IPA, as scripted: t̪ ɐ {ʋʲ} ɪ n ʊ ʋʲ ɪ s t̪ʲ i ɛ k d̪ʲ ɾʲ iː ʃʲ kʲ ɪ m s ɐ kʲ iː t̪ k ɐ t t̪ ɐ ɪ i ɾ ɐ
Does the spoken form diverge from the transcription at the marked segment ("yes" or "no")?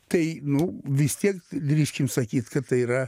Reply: yes